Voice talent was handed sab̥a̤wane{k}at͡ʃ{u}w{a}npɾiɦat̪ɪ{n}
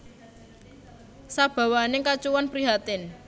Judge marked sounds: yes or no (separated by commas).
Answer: yes, yes, yes, yes